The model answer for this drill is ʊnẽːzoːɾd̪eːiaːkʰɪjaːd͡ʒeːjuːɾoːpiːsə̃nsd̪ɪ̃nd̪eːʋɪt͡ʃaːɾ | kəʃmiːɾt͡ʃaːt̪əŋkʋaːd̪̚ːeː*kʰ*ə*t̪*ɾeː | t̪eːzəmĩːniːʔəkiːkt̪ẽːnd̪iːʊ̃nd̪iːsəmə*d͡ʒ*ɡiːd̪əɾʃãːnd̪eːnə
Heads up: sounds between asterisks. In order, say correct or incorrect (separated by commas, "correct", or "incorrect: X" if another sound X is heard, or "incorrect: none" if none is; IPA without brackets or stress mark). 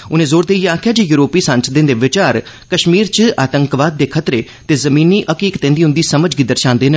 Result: correct, correct, correct